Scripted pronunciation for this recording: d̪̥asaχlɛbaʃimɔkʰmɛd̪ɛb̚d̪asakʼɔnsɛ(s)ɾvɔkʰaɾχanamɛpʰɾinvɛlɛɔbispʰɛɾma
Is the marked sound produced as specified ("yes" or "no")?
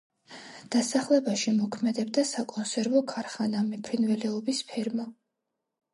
no